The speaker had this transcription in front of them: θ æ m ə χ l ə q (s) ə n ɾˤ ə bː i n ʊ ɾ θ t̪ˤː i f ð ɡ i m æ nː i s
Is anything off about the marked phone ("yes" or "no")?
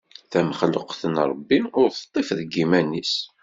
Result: yes